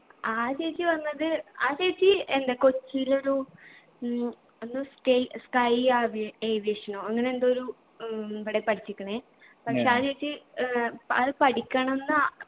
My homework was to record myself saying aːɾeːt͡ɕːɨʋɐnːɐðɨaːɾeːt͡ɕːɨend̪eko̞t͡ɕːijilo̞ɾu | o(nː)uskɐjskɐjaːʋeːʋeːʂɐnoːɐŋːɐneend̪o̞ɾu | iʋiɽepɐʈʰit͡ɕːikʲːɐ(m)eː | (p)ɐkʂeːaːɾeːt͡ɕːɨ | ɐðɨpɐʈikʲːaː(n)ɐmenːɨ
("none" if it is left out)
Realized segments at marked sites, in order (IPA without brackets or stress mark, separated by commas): nː, ɳ, p, ɳ